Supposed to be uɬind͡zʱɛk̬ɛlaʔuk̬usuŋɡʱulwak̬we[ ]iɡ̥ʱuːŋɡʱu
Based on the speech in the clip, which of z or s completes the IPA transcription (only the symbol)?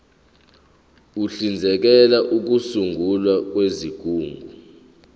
z